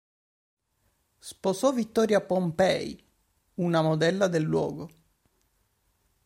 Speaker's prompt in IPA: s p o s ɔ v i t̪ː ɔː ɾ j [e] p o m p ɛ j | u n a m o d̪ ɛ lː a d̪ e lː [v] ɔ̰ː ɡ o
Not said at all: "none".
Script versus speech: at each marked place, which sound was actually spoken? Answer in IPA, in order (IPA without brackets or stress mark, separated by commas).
a, w